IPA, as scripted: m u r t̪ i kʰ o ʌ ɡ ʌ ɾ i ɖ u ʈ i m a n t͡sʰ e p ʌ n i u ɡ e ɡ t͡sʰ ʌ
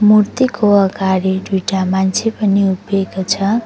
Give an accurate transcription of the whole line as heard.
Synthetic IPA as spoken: m u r t̪ i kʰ o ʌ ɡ a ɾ i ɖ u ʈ a m a n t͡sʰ e p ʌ n i u b e ɡ t͡sʰ ʌ